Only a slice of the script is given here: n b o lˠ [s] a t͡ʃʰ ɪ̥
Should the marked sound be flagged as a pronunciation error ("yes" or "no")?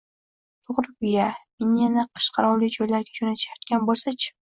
no